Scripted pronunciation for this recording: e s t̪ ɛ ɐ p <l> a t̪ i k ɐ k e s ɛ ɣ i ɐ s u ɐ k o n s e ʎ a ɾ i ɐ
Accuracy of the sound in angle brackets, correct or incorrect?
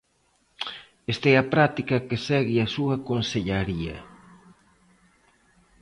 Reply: incorrect